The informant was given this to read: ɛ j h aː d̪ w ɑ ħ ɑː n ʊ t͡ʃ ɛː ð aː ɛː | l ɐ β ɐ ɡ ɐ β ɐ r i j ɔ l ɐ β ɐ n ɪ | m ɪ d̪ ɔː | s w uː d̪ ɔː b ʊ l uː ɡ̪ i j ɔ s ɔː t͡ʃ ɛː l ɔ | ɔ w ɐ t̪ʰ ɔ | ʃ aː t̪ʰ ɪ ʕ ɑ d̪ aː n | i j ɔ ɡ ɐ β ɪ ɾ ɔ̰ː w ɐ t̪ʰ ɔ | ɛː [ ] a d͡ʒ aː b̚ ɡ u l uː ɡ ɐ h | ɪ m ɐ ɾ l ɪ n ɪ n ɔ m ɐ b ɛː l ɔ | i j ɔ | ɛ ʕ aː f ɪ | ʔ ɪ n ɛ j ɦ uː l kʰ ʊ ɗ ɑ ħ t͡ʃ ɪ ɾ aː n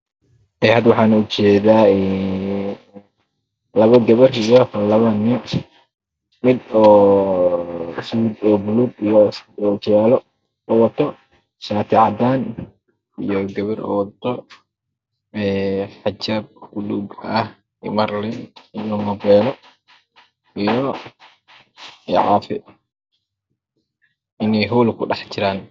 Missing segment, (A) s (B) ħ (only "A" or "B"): B